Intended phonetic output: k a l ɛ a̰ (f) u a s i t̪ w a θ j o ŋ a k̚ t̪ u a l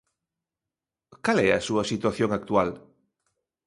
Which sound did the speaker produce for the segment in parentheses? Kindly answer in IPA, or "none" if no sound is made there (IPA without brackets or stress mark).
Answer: s